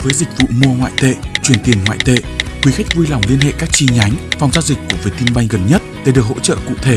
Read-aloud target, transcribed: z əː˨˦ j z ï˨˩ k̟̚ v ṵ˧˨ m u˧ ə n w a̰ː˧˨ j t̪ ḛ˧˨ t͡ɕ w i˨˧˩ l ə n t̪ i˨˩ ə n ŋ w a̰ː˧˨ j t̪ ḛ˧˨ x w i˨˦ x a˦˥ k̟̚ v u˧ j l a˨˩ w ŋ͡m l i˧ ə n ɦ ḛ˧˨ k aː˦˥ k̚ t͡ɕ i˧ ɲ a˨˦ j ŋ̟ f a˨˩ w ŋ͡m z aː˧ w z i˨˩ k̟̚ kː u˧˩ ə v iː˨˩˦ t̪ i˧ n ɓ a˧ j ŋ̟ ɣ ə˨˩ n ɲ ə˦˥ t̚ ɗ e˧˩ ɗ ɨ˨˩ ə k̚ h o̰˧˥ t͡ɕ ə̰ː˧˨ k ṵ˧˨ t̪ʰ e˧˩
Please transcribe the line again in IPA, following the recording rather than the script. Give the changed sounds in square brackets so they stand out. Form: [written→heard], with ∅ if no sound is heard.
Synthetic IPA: [z→v] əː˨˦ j z ï˨˩ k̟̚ v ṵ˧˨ m u˧ ə [n→ŋ] w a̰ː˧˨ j t̪ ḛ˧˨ t͡ɕ w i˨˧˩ [l→∅] ə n t̪ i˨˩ ə n ŋ w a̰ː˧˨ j t̪ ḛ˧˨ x w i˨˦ x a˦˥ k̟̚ v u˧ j l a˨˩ w ŋ͡m l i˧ ə n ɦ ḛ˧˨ k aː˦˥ k̚ t͡ɕ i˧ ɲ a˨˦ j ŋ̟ f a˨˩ w ŋ͡m z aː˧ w z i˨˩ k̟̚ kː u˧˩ ə v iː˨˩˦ t̪ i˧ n ɓ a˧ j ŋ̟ ɣ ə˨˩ n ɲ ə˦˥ t̚ ɗ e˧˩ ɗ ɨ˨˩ ə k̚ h o̰˧˥ t͡ɕ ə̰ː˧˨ k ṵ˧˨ t̪ʰ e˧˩

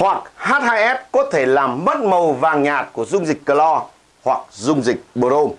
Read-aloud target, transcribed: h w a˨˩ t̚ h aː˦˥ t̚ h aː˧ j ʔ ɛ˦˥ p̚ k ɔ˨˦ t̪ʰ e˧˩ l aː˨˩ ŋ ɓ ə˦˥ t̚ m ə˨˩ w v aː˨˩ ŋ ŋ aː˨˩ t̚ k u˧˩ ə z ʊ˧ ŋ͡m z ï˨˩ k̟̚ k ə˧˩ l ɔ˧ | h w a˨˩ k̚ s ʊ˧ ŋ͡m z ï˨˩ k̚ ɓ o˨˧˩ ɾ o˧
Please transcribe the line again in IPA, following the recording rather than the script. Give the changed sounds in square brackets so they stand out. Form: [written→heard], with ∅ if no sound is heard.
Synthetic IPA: h w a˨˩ [t̚→k̚] h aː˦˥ t̚ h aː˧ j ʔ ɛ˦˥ p̚ k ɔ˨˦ t̪ʰ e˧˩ l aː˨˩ [ŋ→m] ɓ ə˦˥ t̚ m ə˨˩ w v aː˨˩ ŋ [ŋ→ɲ] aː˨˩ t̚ k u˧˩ ə z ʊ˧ ŋ͡m z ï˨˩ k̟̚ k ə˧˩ l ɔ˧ | h w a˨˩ k̚ [s→z] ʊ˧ ŋ͡m z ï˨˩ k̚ ɓ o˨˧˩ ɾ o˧

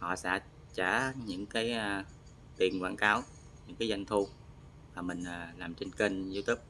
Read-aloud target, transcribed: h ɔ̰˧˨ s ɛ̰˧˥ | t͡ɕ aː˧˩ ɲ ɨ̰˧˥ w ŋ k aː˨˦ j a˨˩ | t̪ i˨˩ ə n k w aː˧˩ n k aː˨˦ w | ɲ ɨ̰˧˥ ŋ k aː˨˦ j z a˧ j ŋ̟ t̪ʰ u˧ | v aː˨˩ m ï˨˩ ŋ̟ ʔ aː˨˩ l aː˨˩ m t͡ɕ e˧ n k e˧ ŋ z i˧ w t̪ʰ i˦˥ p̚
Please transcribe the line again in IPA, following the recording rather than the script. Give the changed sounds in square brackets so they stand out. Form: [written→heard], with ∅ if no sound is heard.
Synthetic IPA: h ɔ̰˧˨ s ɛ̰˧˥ | t͡ɕ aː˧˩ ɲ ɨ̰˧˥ [w→∅] ŋ k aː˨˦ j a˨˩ | t̪ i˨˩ ə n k w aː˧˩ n k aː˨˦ w | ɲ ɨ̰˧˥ ŋ k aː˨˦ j z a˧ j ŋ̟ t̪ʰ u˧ | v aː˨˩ m ï˨˩ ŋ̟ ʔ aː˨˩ l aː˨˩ m t͡ɕ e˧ n k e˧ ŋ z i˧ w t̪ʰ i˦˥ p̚

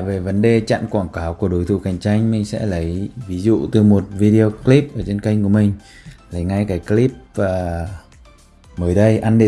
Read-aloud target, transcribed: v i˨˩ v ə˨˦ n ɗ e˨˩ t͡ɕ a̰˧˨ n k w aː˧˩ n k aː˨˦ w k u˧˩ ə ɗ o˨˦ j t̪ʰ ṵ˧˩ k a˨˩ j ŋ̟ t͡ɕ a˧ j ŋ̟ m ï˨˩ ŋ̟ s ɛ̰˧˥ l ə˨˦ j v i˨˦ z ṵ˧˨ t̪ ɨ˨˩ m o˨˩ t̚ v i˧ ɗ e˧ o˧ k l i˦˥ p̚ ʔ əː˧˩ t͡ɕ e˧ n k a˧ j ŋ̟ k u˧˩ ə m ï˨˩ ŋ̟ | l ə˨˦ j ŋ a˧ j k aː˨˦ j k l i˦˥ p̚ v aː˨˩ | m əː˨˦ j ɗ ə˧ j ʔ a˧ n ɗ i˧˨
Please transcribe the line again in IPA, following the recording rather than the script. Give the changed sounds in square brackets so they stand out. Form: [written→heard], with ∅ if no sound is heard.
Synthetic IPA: v [i˨˩→e˨˩] v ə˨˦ n ɗ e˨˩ t͡ɕ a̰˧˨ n k w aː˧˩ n k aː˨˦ w k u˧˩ ə ɗ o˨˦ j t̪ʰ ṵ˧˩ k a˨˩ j ŋ̟ t͡ɕ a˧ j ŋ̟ m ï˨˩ ŋ̟ s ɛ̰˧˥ l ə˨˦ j v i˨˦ z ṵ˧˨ t̪ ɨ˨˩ m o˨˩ t̚ v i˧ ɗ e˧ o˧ k l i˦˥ p̚ ʔ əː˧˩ t͡ɕ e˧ n k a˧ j ŋ̟ k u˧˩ ə m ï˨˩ ŋ̟ | l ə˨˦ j ŋ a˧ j k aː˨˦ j k l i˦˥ p̚ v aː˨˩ | m əː˨˦ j ɗ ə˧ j ʔ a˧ n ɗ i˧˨

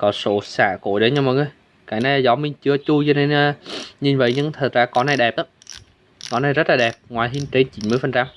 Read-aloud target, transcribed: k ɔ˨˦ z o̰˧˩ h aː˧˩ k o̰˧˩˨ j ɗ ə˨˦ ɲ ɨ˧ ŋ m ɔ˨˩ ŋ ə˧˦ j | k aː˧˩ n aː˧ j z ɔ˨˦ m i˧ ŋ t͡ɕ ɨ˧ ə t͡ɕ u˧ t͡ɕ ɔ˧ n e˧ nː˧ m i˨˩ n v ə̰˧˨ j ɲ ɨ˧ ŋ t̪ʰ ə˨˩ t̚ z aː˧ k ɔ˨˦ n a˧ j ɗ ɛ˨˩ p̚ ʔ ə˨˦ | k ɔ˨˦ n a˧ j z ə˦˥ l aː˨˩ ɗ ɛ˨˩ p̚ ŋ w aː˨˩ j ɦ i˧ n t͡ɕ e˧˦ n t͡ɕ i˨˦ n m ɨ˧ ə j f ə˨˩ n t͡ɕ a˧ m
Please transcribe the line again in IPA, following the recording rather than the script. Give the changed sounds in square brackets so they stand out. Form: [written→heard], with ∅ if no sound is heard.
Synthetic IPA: k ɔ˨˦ [z→s] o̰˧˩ [h→s] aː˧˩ k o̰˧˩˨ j ɗ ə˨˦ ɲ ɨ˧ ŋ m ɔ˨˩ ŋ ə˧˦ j | k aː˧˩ n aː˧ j z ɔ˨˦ m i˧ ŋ t͡ɕ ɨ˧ ə t͡ɕ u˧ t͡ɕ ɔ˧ n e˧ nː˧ [m→ɲ] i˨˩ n v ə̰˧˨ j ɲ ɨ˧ ŋ t̪ʰ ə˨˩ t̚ z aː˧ k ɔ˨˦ n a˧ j ɗ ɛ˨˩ p̚ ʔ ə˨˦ | k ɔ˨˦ n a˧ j z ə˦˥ l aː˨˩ ɗ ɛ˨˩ p̚ ŋ w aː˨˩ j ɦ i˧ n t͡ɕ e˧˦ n t͡ɕ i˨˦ n m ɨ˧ ə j f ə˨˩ n t͡ɕ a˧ m

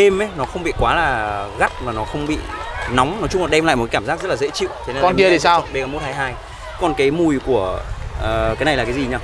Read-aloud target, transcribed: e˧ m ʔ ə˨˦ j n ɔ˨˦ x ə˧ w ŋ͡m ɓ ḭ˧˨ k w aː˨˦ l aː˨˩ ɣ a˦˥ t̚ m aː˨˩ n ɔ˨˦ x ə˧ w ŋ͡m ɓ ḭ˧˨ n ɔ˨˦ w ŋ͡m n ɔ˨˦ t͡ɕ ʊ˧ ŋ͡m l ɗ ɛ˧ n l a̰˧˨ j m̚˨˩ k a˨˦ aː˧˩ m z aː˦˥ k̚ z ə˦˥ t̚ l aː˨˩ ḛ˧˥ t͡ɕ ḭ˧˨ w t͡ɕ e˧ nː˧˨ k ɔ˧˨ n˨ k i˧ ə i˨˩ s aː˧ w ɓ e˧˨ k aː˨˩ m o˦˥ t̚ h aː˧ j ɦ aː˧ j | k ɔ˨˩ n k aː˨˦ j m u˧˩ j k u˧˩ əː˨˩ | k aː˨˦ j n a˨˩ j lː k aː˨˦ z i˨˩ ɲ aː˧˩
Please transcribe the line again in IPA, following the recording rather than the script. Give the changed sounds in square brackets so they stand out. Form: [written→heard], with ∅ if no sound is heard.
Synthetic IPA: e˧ m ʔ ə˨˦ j n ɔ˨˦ x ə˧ w ŋ͡m ɓ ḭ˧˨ k w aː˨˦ l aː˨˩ ɣ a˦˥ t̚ m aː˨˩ n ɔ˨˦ x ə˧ w ŋ͡m ɓ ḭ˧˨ n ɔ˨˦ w ŋ͡m n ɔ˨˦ t͡ɕ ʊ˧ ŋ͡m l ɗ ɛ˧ [n→m] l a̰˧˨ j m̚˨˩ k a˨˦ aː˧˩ m z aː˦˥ k̚ z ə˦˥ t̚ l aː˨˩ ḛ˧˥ t͡ɕ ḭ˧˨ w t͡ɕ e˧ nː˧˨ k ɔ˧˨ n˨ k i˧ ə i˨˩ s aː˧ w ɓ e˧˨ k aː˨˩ m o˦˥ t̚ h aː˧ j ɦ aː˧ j | k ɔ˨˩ n k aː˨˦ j m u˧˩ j k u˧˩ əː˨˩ | k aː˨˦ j n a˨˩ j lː k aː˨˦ z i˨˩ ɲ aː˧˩

